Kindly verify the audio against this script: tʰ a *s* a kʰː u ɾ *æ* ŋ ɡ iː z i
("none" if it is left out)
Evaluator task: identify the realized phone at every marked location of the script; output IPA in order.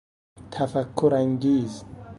f, a

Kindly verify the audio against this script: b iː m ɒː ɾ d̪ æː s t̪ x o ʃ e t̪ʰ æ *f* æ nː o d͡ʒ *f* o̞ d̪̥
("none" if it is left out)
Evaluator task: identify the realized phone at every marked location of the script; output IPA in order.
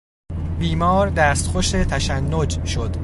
ʃ, ʃ

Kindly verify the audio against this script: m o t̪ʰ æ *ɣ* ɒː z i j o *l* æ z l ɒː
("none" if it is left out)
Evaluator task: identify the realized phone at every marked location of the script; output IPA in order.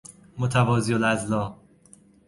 v, l

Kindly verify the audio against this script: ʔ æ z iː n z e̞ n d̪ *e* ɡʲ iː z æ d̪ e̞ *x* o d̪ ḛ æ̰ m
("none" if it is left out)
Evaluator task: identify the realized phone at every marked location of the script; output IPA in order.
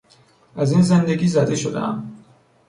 e, ʃ

